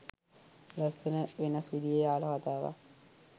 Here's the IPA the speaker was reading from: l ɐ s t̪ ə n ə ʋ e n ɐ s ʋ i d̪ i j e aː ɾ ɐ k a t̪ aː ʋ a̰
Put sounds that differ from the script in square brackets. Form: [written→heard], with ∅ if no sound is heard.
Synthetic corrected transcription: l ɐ s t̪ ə n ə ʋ e n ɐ s ʋ i d̪ i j e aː [ɾ→l] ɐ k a t̪ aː ʋ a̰